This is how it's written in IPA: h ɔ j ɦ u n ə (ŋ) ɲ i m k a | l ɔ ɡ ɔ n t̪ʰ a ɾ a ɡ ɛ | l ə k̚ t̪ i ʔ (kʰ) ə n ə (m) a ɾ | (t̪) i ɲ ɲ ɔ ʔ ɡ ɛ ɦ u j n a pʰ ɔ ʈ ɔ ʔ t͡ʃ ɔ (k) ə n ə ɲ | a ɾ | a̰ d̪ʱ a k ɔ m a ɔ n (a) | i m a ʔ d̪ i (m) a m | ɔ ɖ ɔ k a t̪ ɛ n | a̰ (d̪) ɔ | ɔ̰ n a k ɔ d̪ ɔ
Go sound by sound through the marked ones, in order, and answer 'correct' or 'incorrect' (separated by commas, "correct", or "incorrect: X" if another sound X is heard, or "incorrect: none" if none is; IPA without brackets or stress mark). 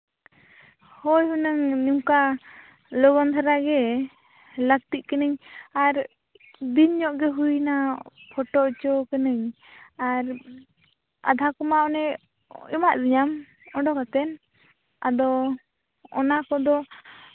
correct, incorrect: k, incorrect: ɲ, incorrect: d̪, correct, incorrect: ɛ, incorrect: ɲ, correct